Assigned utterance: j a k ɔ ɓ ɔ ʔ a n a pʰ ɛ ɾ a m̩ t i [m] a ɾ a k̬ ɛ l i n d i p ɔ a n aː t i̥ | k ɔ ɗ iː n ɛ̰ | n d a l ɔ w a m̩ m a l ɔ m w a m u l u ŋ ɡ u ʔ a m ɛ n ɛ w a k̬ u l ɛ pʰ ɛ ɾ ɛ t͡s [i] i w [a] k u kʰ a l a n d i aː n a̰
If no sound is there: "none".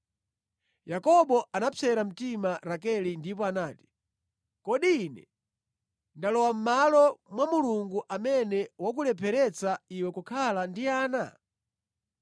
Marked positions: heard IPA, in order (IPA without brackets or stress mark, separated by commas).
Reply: m, a, ɛ